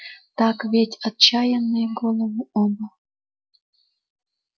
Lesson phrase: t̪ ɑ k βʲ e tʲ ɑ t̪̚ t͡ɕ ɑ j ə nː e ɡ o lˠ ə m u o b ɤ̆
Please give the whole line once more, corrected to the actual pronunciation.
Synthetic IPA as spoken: t̪ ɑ k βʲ e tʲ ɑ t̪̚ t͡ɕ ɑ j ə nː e ɡ o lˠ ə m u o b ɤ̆